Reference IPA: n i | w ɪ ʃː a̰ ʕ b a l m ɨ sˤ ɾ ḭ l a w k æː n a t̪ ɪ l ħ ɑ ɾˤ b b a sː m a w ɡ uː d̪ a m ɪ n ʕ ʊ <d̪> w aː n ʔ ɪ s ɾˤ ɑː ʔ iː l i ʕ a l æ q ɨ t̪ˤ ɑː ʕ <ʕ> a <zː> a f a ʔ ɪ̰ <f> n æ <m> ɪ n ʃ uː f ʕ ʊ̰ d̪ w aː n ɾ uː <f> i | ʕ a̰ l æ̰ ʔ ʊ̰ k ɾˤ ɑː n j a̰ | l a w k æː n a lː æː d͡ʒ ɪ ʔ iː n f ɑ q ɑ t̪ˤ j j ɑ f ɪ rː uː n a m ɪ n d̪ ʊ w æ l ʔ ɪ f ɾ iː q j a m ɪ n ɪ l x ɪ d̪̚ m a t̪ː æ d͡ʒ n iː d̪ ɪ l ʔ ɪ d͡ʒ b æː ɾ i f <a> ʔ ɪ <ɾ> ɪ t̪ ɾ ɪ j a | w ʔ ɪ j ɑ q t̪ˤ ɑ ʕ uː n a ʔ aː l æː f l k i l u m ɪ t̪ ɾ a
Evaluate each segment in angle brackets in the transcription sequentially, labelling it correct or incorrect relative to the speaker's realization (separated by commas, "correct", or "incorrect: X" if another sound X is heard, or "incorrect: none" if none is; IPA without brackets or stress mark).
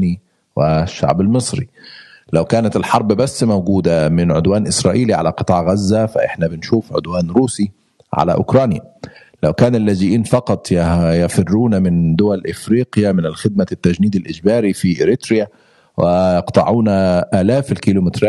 correct, incorrect: ɣ, correct, incorrect: ħ, incorrect: b, incorrect: s, incorrect: i, correct